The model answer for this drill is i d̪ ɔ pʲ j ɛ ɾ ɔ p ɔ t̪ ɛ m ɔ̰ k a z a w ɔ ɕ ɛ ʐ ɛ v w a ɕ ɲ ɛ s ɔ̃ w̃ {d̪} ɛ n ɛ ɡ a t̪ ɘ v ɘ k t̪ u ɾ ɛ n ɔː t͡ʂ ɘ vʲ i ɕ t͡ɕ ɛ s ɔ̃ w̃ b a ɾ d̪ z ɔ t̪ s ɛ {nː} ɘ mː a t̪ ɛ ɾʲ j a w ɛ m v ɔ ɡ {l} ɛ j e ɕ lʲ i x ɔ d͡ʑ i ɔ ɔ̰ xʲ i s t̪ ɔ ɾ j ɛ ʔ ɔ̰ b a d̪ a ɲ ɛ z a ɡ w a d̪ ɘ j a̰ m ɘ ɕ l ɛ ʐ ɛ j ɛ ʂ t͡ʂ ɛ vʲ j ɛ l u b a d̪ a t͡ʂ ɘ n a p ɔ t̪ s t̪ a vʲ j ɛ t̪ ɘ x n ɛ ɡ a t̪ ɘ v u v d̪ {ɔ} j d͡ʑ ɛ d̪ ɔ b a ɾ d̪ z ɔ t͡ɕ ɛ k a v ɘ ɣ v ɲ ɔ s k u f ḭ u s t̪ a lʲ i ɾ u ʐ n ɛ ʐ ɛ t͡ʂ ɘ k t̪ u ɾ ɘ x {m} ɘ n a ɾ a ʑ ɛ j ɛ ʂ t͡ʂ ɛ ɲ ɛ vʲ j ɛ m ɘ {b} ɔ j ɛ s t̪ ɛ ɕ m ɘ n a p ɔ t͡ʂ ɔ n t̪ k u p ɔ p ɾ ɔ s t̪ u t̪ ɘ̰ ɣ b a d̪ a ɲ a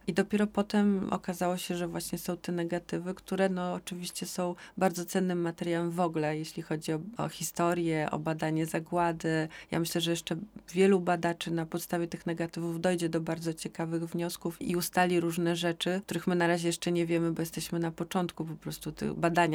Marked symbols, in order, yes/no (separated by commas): no, yes, yes, yes, yes, yes